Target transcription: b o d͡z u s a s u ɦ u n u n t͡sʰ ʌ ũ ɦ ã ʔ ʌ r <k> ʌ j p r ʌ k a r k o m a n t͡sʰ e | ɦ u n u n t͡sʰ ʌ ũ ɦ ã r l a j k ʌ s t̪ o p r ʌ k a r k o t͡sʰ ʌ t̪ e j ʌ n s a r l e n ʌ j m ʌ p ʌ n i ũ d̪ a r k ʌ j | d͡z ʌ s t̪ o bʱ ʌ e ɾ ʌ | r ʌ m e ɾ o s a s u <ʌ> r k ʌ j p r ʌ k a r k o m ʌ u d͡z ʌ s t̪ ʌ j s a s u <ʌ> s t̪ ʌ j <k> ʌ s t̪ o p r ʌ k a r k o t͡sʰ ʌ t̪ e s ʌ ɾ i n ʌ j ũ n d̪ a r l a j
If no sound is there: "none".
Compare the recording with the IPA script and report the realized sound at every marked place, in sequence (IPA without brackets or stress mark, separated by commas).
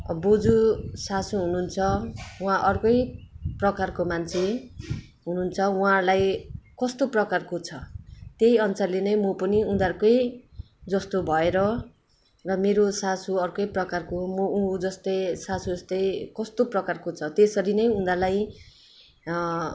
k, ʌ, ʌ, k